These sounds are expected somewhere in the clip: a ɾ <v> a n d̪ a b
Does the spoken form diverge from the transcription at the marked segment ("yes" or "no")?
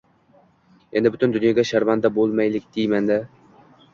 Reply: no